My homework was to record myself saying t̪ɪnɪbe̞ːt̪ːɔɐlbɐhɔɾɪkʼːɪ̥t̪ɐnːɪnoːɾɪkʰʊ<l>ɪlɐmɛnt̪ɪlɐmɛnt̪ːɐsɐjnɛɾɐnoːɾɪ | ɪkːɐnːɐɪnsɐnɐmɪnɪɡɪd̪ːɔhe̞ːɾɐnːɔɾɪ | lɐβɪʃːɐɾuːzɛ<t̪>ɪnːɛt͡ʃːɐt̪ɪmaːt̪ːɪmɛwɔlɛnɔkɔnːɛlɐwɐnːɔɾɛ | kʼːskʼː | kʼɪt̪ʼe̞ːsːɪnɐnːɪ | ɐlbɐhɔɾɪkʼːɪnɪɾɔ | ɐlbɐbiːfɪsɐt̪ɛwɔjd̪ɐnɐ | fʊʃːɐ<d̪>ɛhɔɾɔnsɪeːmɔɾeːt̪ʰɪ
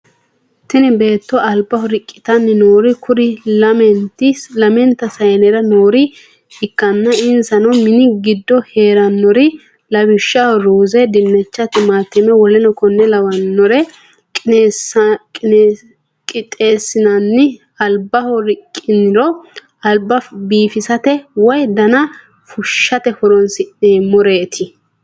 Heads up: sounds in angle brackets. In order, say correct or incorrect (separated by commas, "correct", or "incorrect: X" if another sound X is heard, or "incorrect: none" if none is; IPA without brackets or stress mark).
incorrect: ɾ, incorrect: d̪, incorrect: t̪